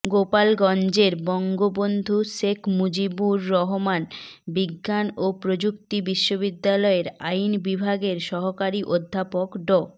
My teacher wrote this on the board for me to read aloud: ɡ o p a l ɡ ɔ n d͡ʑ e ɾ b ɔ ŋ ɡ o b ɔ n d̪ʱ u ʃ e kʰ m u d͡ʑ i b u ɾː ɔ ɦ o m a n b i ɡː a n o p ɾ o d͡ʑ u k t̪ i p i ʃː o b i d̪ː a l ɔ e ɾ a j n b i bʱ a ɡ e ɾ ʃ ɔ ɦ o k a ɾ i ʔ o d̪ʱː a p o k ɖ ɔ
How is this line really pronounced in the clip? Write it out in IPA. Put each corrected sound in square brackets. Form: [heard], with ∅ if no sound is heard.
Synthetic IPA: ɡ o p a l ɡ ɔ n d͡ʑ e ɾ b ɔ ŋ ɡ o b [o] n d̪ʱ u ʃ e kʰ m u d͡ʑ i b u ɾː ɔ ɦ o m a n b i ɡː a n o p ɾ o d͡ʑ u k t̪ i [b] i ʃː o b i d̪ː a l ɔ e ɾ a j n b i bʱ a ɡ e ɾ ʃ ɔ ɦ o k a ɾ i ʔ o d̪ʱː a p o k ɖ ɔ